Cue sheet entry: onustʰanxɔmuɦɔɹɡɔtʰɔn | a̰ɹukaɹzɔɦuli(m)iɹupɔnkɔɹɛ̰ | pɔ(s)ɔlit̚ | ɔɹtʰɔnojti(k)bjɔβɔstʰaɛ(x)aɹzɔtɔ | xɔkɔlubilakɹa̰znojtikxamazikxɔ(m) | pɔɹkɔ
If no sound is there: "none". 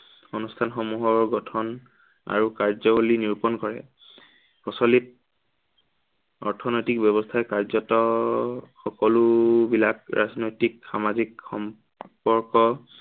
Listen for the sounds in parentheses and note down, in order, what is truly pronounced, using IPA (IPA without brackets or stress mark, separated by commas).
n, s, k, k, m